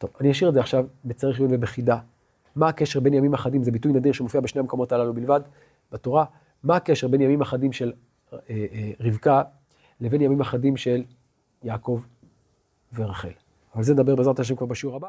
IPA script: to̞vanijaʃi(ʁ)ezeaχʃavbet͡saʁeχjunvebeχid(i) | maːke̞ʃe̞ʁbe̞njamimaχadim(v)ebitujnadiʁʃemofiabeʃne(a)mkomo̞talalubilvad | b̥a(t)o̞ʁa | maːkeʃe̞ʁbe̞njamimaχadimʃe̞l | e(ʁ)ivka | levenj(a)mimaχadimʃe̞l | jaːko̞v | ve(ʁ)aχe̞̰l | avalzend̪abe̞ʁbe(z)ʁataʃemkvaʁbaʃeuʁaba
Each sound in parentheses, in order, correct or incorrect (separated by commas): correct, incorrect, incorrect, correct, correct, correct, correct, correct, correct